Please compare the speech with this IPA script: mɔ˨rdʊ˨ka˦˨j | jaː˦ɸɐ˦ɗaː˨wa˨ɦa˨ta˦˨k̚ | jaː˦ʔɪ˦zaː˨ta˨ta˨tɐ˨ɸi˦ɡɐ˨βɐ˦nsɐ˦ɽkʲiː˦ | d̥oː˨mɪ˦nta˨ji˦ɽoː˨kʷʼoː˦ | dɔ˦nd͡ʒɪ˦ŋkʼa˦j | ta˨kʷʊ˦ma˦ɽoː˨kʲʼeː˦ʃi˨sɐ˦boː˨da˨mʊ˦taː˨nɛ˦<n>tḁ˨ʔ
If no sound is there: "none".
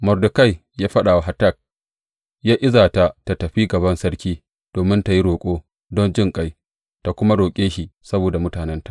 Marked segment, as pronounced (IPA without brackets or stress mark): n